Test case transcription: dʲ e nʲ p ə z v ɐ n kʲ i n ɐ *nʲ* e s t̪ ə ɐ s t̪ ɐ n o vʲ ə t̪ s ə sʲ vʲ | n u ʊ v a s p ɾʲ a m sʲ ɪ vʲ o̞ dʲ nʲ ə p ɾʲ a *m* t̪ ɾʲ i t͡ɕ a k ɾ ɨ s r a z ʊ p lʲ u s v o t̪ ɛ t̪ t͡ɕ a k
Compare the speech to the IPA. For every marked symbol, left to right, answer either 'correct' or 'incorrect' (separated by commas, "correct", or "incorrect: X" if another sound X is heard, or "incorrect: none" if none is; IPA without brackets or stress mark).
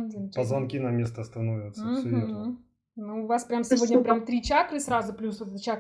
incorrect: mʲ, correct